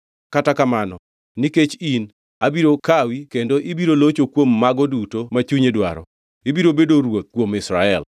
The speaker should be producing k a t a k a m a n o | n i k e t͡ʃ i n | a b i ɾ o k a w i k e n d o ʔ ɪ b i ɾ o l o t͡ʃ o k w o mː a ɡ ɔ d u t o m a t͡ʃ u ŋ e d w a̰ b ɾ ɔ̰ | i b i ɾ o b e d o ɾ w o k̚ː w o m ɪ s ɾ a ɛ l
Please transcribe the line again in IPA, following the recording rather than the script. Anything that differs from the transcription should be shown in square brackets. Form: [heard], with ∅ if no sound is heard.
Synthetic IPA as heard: k a t a k a m a n [ɔ] | n i k e t͡ʃ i n | a b i ɾ o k a w i k e n d o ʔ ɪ b i ɾ o l o t͡ʃ o k w o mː a ɡ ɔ d u t o m a t͡ʃ u [ɲ] e d w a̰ [∅] ɾ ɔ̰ | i b i ɾ o b e d o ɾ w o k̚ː w o m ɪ s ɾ a ɛ l